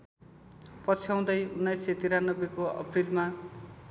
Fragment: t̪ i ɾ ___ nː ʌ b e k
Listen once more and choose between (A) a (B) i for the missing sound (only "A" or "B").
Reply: A